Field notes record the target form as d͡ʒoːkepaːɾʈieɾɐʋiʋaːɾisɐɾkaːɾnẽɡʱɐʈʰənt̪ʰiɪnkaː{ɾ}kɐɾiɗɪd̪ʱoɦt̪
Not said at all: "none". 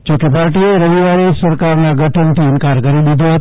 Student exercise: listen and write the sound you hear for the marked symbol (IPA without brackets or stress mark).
ɾ